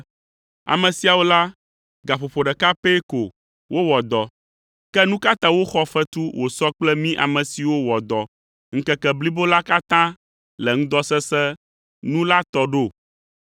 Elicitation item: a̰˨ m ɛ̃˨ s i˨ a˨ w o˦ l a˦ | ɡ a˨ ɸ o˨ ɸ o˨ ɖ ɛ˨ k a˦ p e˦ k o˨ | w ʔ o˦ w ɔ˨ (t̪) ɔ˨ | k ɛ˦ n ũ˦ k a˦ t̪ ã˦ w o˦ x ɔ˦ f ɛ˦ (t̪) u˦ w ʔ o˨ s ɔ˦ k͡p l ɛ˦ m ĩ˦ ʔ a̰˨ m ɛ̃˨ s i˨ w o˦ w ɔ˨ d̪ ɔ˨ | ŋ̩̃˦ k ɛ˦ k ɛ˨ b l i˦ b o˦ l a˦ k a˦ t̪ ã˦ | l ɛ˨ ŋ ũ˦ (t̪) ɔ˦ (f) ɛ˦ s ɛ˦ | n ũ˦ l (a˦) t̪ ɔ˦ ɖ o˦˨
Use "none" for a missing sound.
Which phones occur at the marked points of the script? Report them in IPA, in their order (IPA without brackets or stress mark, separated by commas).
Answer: d̪, t̪, d̪, s, a˦